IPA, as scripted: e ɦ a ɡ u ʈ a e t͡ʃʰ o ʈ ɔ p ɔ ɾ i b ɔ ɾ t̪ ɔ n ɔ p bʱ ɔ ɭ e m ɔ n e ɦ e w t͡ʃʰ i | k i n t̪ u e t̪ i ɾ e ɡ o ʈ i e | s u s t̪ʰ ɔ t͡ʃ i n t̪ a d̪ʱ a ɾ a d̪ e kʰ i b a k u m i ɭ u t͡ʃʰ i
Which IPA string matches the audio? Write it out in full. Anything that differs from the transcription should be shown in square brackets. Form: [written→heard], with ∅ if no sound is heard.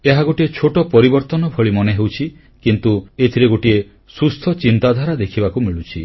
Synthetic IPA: e ɦ a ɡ [u→o] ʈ [a→i] e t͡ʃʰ o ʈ ɔ p ɔ ɾ i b ɔ ɾ t̪ ɔ n ɔ [p→∅] bʱ ɔ ɭ [e→i] m ɔ n e ɦ e w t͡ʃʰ i | k i n t̪ u e [t̪→t̪ʰ] i ɾ e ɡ o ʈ i e | s u s t̪ʰ ɔ t͡ʃ i n t̪ a d̪ʱ a ɾ a d̪ e kʰ i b a k u m i ɭ u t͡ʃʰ i